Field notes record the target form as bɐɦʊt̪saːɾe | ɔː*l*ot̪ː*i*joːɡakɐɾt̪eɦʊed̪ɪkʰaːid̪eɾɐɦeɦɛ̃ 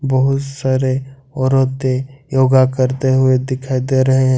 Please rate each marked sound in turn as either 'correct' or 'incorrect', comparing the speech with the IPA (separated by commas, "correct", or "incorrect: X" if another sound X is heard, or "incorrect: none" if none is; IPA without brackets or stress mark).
incorrect: ɾ, incorrect: e